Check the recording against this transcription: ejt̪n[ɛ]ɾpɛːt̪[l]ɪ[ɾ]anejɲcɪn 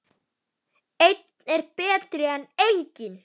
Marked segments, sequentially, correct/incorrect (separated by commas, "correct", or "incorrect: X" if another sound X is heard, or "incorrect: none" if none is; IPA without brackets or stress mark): correct, incorrect: ɾ, incorrect: none